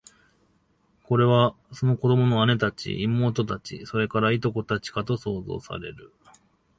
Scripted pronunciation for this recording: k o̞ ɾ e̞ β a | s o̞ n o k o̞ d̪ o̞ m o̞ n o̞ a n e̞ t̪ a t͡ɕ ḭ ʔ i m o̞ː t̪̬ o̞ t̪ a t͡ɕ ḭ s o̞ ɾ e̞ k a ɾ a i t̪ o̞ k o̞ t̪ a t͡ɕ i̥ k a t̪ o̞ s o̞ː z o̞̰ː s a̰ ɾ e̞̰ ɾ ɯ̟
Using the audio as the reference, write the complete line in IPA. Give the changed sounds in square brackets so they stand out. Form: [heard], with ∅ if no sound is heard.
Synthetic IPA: k o̞ ɾ e̞ β a | s o̞ n o k o̞ d̪ o̞ m o̞ n o̞ a n e̞ t̪ a t͡ɕ ḭ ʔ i m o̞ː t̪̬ o̞ t̪ a t͡ɕ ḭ s o̞ ɾ e̞ k a ɾ a i t̪ o̞ k o̞ t̪ a t͡ɕ i̥ k a t̪ o̞ s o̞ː z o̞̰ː s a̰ ɾ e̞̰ ɾ ɯ̟